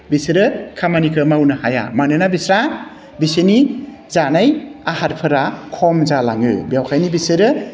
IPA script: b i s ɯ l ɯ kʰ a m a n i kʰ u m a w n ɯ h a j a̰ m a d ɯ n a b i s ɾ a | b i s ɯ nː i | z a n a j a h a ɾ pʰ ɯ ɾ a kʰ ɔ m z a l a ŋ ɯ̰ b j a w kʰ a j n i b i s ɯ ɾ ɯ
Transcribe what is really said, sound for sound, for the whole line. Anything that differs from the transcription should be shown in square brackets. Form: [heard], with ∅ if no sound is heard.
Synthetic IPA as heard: b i s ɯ [ɾ] ɯ kʰ a m a n i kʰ [ɯ] m a w n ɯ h a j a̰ m a [n] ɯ n a b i s ɾ a | b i s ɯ [n] i | z a n a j a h a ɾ pʰ ɯ ɾ a kʰ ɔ m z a l a ŋ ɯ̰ b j a w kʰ a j n i b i s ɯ ɾ ɯ